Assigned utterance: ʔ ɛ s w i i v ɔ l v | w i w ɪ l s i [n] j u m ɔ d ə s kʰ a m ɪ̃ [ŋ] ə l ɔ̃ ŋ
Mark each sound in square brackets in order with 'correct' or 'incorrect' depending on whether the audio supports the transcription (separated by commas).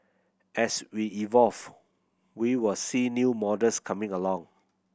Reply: correct, correct